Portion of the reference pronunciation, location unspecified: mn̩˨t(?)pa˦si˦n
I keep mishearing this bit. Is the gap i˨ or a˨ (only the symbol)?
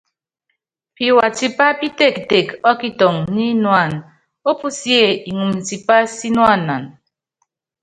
i˨